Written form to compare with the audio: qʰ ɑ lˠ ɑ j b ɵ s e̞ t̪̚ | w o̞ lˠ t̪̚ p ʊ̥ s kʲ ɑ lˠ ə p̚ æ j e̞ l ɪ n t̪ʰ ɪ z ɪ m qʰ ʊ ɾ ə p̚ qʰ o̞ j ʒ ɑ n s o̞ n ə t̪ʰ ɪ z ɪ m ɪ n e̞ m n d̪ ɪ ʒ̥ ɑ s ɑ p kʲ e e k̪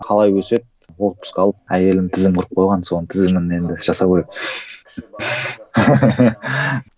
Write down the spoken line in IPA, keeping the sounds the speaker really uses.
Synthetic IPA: qʰ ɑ lˠ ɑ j w ɵ s e̞ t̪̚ | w o̞ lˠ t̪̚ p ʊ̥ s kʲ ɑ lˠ ə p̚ æ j e̞ l ɪ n t̪ʰ ɪ z ɪ m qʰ ʊ ɾ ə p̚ qʰ o̞ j ʁ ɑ n s o̞ n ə t̪ʰ ɪ z ɪ m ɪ n e̞ n d̪ ɪ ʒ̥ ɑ s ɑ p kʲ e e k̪